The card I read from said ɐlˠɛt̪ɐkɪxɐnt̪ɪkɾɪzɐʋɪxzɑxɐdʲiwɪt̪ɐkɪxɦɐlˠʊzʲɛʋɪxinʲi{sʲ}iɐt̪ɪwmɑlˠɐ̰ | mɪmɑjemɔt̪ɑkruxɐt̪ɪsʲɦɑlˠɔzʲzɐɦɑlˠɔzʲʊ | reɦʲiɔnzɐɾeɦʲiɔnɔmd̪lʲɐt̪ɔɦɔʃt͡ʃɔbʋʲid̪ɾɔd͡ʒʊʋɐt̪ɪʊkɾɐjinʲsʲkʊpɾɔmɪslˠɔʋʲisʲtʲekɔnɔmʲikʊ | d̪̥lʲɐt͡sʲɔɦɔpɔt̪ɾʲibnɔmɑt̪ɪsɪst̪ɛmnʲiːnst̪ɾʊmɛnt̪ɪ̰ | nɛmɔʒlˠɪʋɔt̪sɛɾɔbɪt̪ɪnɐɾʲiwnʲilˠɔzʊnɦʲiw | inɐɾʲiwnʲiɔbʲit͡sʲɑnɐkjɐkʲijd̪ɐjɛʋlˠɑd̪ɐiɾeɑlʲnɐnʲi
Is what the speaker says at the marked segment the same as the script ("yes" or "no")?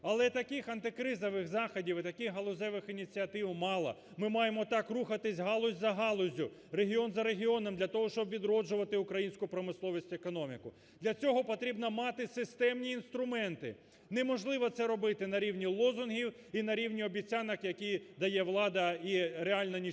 no